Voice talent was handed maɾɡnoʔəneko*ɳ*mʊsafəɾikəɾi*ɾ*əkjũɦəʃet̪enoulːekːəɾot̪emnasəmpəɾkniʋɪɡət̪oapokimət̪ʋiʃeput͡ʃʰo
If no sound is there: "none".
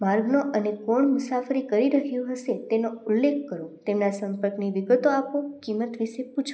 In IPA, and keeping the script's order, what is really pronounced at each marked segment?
ɳ, ɾ

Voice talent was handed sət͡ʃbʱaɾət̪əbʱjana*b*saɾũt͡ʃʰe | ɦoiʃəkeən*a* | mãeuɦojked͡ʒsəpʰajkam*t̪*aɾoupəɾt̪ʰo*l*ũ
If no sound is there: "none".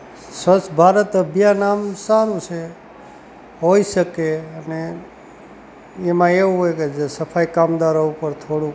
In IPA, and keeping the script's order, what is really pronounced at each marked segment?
m, e, d̪, ɽ

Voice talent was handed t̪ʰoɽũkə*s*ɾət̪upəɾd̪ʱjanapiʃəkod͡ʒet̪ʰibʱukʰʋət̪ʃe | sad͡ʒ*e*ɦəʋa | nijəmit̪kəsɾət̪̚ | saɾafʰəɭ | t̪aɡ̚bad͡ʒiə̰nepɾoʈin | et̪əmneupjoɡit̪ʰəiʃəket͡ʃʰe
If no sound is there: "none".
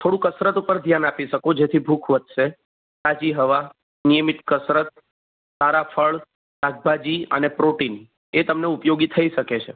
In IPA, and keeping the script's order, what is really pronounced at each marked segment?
s, i

